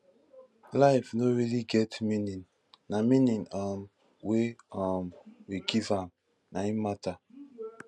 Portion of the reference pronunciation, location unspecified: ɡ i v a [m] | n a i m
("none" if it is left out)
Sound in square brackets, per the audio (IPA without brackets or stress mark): m